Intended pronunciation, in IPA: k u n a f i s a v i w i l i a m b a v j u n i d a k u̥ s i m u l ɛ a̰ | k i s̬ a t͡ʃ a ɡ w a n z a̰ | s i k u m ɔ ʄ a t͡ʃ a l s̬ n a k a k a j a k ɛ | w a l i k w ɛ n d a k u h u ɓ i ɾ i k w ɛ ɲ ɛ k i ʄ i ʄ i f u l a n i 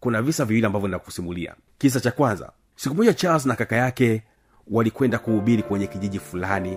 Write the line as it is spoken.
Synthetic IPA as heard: k u n a v i s a v i w i l i a m b a v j ɔ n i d a k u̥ s i m u l i a̰ | k i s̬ a t͡ʃ a k w a n z a̰ | s i k u m ɔ ʄ a t͡ʃ a l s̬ n a k a k a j a k ɛ | w a l i k w ɛ n d a k u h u ɓ i ɾ i k w ɛ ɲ ɛ k i ʄ i ʄ i f u l a n i